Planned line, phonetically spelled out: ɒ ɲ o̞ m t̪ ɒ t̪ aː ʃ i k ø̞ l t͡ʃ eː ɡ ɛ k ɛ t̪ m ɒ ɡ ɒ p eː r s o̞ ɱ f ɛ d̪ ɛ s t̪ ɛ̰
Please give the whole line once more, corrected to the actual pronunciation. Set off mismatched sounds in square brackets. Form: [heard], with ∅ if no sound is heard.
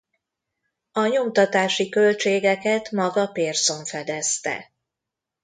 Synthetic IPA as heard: ɒ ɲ o̞ m t̪ ɒ t̪ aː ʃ i k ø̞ l t͡ʃ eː ɡ ɛ k ɛ t̪ m ɒ ɡ ɒ p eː r s o̞ ɱ f ɛ d̪ ɛ s t̪ ɛ̰